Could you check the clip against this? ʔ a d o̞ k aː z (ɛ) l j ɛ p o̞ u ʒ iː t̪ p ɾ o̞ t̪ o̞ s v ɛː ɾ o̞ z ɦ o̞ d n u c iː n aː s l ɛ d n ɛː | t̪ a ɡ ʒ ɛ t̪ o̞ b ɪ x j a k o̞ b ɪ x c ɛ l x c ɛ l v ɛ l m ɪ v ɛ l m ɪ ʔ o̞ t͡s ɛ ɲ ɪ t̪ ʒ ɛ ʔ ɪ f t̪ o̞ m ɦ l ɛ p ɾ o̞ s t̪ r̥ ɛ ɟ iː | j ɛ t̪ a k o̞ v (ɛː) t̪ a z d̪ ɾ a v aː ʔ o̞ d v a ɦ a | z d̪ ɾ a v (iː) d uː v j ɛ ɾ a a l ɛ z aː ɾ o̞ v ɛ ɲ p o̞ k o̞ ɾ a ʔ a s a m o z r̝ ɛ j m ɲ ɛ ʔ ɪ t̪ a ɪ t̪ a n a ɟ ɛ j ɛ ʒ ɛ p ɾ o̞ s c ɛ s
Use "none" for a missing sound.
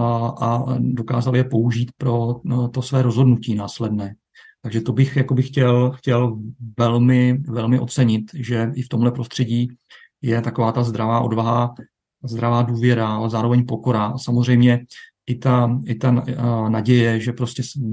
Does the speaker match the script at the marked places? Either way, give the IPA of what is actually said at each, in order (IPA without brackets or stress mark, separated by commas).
a, aː, aː